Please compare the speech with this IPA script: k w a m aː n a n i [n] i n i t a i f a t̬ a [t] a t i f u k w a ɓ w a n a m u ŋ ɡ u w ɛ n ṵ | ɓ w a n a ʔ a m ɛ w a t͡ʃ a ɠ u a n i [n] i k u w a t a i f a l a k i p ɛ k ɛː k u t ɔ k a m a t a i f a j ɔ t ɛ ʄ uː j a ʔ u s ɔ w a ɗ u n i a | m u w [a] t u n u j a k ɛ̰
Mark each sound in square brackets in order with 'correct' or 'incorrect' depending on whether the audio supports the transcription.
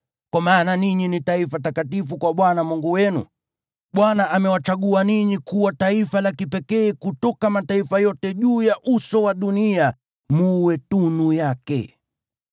incorrect, incorrect, incorrect, incorrect

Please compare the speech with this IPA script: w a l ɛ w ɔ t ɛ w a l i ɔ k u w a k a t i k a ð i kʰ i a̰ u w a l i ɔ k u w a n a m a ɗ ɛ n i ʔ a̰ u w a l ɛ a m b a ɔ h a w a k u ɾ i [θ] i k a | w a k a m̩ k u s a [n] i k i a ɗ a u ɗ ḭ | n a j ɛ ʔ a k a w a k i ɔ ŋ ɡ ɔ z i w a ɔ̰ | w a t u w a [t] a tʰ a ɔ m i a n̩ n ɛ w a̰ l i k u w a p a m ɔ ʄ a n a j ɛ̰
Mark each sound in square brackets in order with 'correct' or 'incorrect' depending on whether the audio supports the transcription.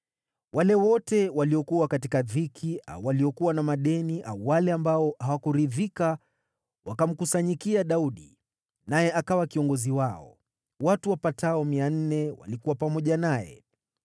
incorrect, incorrect, incorrect

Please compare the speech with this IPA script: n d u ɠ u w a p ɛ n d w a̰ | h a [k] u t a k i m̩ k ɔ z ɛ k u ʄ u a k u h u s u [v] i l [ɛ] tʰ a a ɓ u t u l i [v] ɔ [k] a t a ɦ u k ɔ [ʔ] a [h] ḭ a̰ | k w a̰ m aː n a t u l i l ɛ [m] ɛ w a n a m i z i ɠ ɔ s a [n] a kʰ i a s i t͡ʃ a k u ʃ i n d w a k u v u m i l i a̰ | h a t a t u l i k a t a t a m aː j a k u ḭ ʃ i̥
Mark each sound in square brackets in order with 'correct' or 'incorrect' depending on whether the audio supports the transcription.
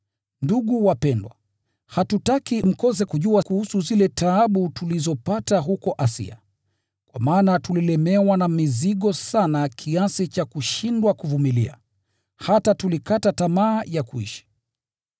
incorrect, incorrect, correct, incorrect, incorrect, correct, incorrect, correct, correct

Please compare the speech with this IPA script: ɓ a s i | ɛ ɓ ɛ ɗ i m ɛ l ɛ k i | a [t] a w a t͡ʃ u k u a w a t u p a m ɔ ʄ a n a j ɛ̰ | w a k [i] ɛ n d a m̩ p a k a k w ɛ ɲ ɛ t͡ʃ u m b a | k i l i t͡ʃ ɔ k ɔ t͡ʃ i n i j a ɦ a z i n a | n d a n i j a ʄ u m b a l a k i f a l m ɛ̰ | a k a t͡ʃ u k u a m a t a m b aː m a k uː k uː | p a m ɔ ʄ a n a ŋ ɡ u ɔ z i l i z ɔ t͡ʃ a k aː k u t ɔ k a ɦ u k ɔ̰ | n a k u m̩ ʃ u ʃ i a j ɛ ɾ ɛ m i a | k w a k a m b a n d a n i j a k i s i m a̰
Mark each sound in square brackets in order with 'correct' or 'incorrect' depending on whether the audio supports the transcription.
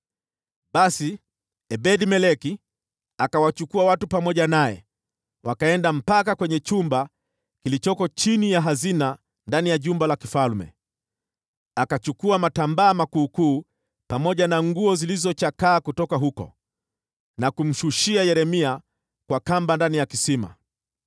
incorrect, incorrect

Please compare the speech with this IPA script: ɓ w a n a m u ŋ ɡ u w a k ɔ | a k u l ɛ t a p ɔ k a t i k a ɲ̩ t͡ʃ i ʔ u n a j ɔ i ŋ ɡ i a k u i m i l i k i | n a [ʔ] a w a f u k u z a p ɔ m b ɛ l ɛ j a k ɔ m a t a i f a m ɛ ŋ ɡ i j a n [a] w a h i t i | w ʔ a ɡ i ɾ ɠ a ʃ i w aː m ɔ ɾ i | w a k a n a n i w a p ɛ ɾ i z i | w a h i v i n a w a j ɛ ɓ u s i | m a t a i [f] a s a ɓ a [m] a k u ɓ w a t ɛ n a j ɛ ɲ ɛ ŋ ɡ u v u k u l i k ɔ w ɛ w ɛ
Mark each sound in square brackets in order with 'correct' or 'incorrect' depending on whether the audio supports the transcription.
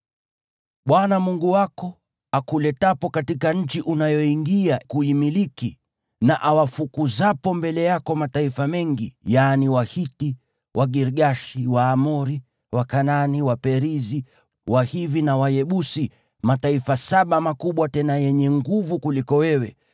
correct, incorrect, correct, correct

